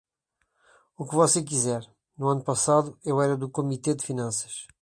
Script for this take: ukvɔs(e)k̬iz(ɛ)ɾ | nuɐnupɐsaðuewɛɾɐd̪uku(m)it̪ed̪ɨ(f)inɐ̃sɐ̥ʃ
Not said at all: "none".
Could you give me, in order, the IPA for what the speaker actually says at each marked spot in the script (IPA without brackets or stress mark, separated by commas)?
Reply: e, ɛ, m, f